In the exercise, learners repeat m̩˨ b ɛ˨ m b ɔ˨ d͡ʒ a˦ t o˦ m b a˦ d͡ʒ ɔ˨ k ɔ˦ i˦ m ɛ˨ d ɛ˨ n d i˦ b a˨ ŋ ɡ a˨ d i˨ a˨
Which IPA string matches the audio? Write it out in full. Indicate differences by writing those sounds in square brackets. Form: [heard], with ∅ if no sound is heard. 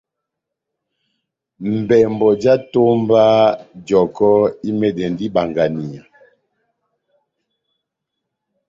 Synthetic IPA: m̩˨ b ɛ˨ m b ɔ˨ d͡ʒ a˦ t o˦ m b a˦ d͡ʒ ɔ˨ k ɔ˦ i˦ m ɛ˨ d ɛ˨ n d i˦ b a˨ ŋ ɡ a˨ [n] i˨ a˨